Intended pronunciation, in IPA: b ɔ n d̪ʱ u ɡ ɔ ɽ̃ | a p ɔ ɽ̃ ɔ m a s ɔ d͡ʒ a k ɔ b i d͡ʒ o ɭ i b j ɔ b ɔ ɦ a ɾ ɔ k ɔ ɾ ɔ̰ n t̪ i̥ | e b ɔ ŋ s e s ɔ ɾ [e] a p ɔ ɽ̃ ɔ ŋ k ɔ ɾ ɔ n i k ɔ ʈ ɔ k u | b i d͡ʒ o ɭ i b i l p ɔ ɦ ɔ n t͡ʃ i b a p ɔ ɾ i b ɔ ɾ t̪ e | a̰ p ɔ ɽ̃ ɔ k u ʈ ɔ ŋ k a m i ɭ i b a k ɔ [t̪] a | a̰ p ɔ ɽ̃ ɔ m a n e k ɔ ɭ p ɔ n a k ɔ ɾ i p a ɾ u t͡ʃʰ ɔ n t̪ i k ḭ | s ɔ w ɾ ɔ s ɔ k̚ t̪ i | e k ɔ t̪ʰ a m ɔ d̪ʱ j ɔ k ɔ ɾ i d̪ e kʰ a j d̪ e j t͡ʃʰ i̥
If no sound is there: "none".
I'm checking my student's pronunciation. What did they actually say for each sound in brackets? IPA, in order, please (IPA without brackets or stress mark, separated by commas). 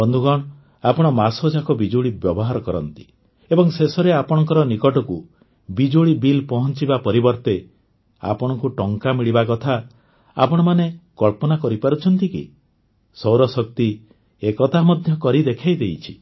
e, t̪ʰ